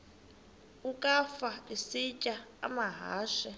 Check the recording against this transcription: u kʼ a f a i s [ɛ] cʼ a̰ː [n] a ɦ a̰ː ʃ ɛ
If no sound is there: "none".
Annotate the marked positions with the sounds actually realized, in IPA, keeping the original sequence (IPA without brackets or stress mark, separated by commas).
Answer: i, m